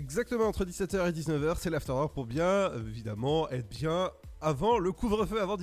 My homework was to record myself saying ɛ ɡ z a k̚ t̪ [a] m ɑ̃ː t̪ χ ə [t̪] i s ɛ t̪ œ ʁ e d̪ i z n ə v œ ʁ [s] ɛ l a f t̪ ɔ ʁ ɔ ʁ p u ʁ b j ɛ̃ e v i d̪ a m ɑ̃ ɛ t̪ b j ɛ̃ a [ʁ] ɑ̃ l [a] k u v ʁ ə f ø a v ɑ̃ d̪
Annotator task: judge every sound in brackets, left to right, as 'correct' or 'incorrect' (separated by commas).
incorrect, incorrect, correct, incorrect, incorrect